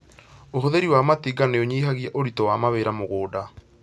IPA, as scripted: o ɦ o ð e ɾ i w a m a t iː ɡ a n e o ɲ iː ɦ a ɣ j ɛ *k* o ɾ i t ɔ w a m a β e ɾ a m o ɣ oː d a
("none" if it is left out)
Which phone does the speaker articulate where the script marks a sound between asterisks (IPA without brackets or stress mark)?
ʔ